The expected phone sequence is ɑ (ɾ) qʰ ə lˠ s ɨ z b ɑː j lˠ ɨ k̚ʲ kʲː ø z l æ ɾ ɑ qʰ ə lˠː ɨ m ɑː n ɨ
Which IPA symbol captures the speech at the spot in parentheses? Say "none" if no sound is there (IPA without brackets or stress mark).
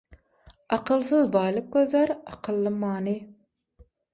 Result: none